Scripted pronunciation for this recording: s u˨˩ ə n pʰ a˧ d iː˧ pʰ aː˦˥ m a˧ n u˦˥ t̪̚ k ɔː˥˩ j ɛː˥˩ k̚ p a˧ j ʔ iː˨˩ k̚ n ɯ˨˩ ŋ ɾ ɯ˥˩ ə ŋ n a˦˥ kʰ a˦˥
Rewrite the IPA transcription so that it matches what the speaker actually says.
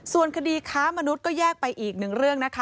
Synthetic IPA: s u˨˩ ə n kʰ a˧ d iː˧ kʰ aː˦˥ m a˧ n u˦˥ t̪̚ k ɔː˥˩ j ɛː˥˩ k̚ p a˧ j ʔ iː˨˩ k̚ n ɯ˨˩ ŋ ɾ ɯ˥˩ ə ŋ n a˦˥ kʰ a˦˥